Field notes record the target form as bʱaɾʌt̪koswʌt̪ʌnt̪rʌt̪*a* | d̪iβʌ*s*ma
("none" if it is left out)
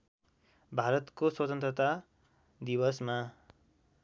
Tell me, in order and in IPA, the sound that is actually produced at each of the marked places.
a, s

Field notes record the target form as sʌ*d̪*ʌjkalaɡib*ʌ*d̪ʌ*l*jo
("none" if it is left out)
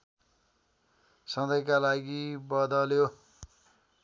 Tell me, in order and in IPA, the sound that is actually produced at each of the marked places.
d̪, ʌ, l

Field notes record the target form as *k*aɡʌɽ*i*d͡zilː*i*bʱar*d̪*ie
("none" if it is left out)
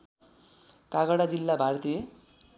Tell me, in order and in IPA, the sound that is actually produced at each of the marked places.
k, a, a, t̪

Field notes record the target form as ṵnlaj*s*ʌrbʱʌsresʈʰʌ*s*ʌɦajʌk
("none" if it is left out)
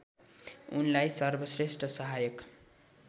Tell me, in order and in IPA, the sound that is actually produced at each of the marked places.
s, s

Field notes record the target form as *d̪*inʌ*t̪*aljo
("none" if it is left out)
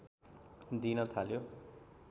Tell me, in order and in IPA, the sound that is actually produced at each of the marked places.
d̪, t̪ʰ

